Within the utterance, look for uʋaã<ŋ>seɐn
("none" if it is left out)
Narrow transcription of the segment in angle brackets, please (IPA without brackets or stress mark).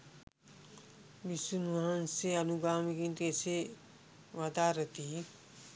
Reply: n